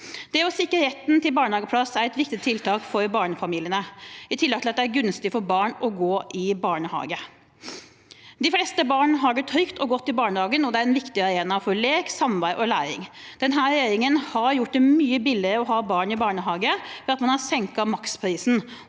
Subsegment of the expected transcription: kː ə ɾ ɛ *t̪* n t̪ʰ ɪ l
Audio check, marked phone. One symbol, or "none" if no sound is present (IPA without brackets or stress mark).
t̪